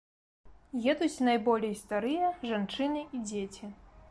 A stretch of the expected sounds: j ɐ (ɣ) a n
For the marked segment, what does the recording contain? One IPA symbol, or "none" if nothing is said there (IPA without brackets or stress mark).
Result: ʐ